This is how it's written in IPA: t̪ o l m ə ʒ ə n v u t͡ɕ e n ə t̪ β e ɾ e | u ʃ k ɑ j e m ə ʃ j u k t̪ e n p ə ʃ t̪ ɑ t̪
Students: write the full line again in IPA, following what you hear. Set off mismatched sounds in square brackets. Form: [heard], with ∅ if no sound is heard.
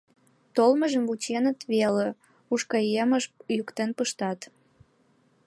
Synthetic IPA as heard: t̪ o l m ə ʒ ə [m] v u t͡ɕ e n ə t̪ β e [l] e | u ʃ k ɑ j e m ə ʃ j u k t̪ e n p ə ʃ t̪ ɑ t̪